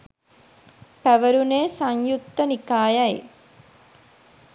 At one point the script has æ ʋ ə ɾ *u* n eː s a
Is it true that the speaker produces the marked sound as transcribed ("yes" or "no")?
yes